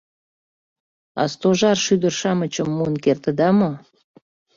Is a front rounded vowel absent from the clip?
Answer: no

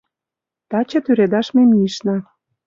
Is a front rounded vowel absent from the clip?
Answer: no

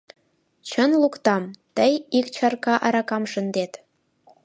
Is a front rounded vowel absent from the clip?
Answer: yes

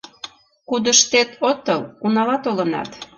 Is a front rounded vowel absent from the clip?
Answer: yes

